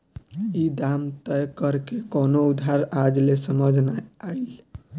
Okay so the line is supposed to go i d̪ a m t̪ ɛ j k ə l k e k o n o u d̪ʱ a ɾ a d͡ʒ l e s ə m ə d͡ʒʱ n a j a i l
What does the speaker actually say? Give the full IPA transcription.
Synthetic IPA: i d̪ a m t̪ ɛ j k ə ɾ k e k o n o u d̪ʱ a ɾ a d͡ʒ l e s ə m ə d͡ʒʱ n a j a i l